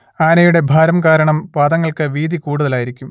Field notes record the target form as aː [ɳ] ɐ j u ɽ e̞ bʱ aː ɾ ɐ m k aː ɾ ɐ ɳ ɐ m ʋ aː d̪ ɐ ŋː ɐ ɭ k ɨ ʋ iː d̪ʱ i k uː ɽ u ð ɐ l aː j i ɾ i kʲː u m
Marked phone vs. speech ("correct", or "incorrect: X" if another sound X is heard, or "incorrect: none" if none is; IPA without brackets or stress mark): incorrect: n